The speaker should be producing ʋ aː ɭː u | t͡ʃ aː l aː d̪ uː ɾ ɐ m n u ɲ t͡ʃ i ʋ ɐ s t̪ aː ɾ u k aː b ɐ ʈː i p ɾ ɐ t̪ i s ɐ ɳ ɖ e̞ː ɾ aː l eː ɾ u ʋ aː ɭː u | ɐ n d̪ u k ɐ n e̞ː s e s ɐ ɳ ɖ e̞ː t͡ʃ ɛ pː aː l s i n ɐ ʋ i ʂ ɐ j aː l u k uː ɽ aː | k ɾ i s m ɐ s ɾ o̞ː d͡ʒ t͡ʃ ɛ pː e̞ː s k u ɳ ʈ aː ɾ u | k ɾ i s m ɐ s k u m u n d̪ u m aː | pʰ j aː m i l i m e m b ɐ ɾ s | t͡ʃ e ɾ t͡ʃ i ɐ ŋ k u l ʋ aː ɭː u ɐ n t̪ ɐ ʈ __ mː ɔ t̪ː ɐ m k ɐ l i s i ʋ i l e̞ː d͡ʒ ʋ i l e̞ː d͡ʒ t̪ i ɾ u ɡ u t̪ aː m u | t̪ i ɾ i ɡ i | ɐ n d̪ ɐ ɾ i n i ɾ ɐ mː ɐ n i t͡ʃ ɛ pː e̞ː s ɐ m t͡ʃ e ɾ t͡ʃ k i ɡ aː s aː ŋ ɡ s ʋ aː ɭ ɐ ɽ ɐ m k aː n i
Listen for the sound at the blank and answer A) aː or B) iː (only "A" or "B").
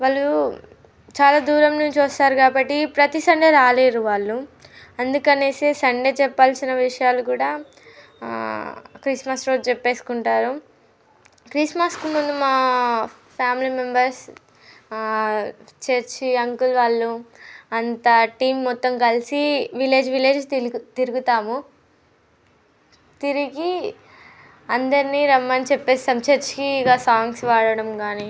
B